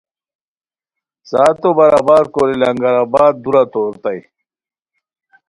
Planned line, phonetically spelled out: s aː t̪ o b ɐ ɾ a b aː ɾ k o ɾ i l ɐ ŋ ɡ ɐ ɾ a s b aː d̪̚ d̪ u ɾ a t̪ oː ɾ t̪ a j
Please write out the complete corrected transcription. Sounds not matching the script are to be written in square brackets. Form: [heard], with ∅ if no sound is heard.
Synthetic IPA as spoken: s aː t̪ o b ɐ ɾ a b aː ɾ k o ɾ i l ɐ ŋ ɡ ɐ ɾ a [∅] b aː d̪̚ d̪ u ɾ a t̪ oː ɾ t̪ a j